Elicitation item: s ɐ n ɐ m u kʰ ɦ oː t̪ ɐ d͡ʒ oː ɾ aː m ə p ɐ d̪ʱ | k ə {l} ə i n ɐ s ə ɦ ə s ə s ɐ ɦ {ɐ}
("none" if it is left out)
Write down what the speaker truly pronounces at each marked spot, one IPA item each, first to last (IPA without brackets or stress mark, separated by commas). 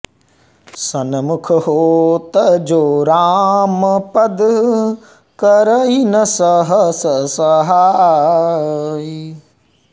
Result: ɾ, a